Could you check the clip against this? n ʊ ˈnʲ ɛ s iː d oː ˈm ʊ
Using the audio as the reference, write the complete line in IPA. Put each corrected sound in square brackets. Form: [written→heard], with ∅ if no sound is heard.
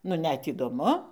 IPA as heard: n ʊ ˈnʲ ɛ [s→t] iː d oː ˈm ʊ